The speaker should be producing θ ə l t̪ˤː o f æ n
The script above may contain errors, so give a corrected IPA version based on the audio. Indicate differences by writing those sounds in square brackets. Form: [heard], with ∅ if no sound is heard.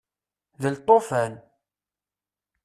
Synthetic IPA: [ð] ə l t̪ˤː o f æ n